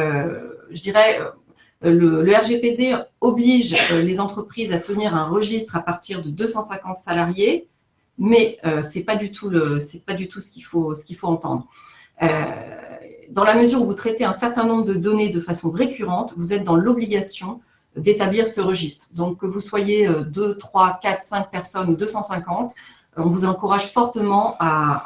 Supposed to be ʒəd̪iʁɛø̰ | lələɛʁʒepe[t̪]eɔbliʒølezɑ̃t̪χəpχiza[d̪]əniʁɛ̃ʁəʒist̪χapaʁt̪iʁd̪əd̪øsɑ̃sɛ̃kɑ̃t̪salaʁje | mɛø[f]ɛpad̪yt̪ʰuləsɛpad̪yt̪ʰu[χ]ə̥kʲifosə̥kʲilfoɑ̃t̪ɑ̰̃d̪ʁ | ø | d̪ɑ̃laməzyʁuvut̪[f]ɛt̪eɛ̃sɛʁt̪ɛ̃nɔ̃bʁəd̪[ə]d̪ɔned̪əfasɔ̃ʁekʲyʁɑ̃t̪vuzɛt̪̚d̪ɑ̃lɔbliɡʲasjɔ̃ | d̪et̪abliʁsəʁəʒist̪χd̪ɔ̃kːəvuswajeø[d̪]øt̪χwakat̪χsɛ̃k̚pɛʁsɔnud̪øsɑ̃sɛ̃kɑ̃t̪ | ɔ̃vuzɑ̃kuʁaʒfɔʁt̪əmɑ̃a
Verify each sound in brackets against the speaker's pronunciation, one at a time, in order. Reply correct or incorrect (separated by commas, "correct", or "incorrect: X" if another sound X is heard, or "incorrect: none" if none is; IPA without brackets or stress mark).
incorrect: d̪, incorrect: t̪, incorrect: s, incorrect: s, incorrect: χ, correct, correct